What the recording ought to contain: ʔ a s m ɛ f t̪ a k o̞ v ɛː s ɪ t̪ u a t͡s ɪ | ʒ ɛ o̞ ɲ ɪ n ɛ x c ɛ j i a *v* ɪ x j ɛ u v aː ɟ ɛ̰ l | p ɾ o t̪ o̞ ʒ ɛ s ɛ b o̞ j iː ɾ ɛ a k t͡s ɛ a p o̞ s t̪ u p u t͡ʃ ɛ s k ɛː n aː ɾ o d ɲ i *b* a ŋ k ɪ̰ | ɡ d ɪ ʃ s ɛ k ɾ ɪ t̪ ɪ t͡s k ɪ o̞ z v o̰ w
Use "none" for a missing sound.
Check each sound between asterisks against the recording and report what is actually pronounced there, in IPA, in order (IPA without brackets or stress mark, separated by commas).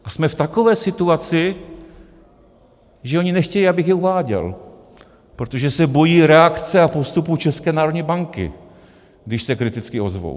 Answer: b, b